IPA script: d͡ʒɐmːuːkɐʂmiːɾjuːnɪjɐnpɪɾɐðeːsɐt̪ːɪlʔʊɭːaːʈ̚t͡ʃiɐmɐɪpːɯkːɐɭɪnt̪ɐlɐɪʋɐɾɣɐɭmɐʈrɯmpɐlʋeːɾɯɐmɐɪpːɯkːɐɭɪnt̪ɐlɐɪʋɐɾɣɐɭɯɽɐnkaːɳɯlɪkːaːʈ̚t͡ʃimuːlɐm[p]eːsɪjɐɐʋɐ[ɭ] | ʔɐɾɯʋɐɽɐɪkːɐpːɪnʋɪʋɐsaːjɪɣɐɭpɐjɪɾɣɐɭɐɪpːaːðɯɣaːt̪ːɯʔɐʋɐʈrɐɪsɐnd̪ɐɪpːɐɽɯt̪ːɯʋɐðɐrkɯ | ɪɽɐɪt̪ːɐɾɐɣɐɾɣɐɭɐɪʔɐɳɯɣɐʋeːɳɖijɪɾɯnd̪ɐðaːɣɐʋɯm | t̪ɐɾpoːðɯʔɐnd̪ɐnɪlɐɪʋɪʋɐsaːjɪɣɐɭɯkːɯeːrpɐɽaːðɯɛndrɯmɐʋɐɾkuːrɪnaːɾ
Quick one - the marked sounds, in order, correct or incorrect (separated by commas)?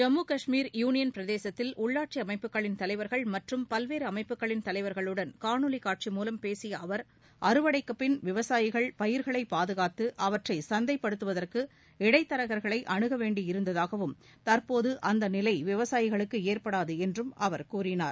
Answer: correct, incorrect